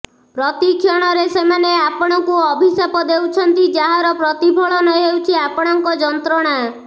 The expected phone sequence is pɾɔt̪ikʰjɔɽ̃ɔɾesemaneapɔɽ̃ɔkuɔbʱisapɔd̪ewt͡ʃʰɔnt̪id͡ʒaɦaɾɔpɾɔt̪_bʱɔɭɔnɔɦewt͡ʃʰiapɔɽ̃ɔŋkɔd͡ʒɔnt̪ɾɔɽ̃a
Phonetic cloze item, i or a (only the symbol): i